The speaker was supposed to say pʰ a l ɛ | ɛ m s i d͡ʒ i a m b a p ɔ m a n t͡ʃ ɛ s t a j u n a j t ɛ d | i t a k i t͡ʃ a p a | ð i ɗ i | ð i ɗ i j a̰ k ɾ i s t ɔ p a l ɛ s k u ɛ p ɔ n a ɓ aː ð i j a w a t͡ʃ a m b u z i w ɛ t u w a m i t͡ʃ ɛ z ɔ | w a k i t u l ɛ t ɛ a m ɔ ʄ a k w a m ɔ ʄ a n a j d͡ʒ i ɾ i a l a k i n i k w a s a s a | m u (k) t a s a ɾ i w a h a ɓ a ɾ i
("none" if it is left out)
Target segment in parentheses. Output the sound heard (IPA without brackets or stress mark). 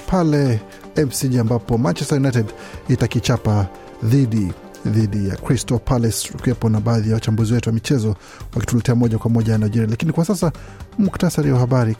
k